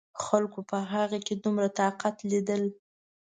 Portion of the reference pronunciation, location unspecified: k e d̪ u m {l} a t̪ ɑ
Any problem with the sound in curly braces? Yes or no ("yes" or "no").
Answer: yes